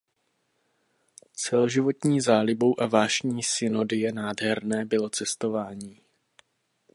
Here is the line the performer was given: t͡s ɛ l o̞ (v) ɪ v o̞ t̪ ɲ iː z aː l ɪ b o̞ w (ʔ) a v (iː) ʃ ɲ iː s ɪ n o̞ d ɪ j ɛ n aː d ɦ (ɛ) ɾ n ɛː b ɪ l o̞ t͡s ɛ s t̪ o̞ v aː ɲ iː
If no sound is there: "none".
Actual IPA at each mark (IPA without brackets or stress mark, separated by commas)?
ʒ, ʔ, aː, ɛ